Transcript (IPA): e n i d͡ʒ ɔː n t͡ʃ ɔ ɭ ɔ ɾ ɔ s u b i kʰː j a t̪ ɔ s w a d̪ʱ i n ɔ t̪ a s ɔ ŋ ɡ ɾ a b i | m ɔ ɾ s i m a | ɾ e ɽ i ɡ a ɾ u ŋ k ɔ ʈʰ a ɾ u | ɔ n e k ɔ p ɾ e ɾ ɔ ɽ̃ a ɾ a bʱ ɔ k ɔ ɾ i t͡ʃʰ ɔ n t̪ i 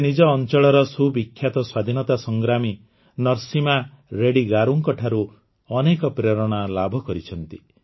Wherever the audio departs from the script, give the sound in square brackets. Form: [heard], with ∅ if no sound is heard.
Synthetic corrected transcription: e n i d͡ʒ ɔː n t͡ʃ ɔ ɭ ɔ ɾ ɔ s u b i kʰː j a t̪ ɔ s w a d̪ʱ i n ɔ t̪ a s ɔ ŋ ɡ ɾ a [m] i | [n] ɔ ɾ s i m a | ɾ e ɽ i ɡ a ɾ u ŋ k ɔ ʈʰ a ɾ u | ɔ n e k ɔ p ɾ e ɾ ɔ ɽ̃ a [l] a bʱ ɔ k ɔ ɾ i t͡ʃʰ ɔ n t̪ i